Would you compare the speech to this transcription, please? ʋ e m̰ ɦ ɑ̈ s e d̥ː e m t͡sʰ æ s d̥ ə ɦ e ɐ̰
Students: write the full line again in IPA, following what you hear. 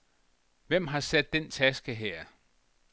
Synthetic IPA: ʋ e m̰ ɦ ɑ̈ s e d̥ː e n t͡sʰ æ s ɡ̥ ə ɦ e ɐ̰